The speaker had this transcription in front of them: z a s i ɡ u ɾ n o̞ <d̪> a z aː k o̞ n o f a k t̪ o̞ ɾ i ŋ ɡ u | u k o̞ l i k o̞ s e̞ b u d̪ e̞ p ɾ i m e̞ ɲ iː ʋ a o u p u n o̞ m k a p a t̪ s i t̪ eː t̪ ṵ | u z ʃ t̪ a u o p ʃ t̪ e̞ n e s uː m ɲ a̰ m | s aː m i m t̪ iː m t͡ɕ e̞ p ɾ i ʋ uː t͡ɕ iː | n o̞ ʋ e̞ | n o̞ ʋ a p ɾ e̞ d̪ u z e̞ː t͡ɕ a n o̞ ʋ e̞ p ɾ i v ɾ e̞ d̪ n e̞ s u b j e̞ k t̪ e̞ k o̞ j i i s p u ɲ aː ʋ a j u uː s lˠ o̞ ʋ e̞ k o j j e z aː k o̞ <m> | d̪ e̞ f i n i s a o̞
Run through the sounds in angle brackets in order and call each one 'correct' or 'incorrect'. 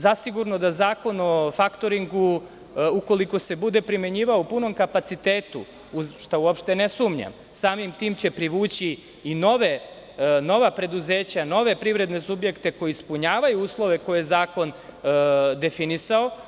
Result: correct, incorrect: n

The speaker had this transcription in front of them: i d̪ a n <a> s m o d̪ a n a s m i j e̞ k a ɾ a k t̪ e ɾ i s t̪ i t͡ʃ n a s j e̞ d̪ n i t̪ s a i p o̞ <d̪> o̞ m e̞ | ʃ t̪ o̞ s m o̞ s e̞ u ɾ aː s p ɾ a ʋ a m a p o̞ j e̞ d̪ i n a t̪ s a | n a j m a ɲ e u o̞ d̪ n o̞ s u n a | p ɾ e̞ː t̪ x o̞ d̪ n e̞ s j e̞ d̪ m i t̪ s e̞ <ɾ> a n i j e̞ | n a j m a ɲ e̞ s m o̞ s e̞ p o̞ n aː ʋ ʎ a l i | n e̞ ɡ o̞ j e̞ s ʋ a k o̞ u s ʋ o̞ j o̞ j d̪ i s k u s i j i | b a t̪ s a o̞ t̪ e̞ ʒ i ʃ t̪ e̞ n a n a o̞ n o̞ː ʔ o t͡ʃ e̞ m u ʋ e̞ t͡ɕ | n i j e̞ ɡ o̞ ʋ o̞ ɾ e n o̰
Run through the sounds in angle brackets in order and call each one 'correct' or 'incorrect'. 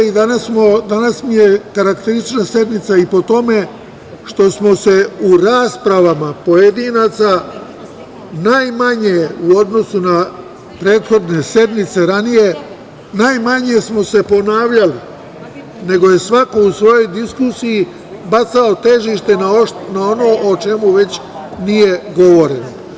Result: correct, incorrect: t̪, correct

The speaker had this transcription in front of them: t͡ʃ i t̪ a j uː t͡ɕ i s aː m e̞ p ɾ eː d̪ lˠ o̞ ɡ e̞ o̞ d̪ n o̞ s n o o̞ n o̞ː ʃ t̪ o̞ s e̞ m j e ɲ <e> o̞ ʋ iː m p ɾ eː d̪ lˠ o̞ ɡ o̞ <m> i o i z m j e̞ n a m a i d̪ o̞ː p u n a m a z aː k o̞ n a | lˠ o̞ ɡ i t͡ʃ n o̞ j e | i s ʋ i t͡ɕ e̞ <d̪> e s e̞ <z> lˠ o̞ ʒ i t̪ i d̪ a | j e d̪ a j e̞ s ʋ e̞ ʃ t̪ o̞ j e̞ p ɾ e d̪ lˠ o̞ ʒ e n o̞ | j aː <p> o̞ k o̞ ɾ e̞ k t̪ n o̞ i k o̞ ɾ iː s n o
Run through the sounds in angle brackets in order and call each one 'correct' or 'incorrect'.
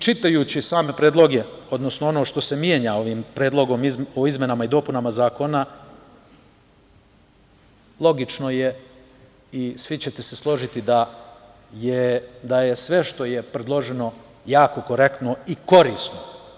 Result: incorrect: a, correct, incorrect: t̪, incorrect: s, incorrect: k

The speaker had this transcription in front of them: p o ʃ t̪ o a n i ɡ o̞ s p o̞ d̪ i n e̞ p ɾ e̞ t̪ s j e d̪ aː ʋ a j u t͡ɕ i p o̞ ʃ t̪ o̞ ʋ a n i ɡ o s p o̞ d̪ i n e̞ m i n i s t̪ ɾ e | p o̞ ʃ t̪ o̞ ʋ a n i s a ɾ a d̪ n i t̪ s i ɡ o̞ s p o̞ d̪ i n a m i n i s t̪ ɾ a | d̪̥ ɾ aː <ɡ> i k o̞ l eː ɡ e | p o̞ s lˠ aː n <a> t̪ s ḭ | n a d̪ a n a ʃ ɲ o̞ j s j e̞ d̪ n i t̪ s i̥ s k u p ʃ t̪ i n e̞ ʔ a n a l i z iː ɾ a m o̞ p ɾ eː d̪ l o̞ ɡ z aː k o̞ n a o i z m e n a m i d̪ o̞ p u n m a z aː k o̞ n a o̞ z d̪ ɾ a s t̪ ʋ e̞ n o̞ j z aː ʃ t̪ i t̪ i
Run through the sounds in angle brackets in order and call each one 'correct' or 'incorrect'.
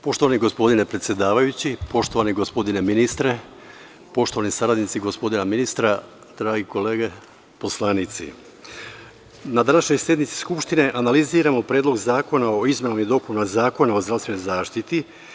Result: correct, incorrect: i

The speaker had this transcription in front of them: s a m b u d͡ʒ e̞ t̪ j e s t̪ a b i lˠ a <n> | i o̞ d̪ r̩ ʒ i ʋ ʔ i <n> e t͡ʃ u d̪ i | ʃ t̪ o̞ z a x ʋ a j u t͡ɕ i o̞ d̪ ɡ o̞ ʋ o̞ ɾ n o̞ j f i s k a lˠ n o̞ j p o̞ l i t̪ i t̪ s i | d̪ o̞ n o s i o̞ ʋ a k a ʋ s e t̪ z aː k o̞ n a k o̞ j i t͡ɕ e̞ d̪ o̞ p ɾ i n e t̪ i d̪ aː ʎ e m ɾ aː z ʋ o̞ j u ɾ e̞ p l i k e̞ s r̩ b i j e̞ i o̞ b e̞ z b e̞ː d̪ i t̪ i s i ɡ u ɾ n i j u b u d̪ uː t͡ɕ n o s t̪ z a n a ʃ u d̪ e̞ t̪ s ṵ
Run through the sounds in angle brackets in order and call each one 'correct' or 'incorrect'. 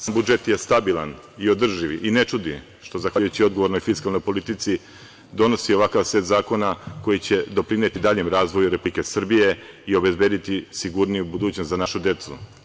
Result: correct, correct

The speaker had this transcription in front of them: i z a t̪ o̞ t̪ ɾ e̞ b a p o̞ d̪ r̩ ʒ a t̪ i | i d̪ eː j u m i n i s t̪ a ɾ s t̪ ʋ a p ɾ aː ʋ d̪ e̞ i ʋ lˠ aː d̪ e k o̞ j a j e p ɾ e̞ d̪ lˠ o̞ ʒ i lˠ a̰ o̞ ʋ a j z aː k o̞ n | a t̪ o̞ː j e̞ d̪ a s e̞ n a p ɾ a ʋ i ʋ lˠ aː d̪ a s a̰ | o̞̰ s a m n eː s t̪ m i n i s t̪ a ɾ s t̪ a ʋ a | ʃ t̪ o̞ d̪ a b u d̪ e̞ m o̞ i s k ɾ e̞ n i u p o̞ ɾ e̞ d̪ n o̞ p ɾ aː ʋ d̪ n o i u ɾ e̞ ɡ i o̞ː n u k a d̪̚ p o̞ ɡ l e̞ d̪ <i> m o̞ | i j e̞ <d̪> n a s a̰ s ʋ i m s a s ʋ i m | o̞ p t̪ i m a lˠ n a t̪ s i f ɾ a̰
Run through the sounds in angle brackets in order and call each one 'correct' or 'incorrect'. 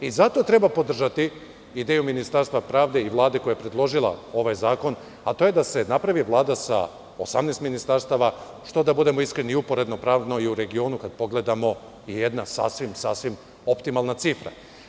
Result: incorrect: a, correct

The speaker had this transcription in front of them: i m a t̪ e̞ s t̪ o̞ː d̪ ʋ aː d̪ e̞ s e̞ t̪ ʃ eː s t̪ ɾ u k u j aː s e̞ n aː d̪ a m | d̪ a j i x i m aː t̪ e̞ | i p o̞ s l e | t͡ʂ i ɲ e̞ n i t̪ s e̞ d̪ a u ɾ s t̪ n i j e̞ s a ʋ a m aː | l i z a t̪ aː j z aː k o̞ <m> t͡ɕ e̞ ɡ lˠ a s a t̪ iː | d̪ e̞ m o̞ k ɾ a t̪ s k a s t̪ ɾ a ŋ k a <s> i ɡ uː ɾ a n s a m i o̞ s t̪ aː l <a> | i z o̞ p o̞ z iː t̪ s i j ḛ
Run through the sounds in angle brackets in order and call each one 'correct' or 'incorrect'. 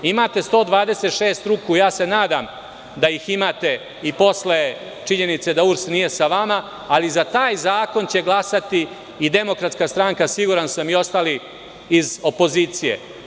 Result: incorrect: n, correct, incorrect: i

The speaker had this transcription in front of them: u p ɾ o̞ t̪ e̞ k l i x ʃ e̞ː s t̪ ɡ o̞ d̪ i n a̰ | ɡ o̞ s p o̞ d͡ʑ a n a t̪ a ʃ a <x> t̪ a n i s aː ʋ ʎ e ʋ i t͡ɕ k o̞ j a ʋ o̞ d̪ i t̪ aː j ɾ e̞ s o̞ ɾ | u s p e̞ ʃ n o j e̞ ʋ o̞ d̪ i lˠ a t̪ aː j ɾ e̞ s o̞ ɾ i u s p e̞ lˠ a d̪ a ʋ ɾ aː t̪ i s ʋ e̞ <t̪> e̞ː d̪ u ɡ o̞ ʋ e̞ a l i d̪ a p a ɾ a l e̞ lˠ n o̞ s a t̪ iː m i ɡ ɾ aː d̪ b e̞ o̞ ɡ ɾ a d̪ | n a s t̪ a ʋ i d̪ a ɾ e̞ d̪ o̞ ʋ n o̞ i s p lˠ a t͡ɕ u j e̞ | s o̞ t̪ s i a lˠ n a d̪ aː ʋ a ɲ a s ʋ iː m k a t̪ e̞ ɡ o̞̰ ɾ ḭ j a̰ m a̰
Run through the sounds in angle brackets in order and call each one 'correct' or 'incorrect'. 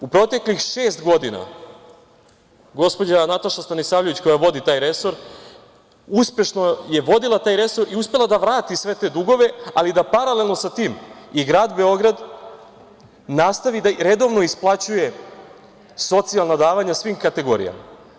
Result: incorrect: s, correct

